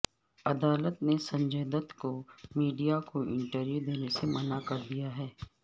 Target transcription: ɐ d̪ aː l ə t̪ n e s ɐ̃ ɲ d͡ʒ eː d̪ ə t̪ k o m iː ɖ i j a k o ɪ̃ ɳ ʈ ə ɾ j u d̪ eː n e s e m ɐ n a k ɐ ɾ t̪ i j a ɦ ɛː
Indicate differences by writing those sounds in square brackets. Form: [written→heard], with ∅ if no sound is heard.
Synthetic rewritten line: ɐ d̪ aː l ə t̪ n e s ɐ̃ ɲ d͡ʒ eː d̪ ə t̪ k o m iː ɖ i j a k o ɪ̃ ɳ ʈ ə ɾ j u d̪ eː n e s e m ɐ n a k ɐ ɾ [t̪→d̪] i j a ɦ ɛː